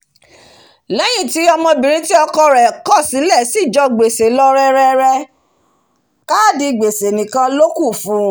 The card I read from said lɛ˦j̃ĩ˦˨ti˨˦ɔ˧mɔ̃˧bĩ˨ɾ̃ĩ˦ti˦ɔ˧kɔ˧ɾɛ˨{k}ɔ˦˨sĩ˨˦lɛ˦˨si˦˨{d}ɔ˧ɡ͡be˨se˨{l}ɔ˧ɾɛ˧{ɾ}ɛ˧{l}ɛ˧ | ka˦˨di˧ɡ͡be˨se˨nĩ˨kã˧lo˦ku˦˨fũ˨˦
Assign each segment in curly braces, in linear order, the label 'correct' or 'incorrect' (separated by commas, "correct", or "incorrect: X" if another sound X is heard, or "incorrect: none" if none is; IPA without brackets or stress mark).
correct, incorrect: d͡ʒ, correct, correct, incorrect: ɾ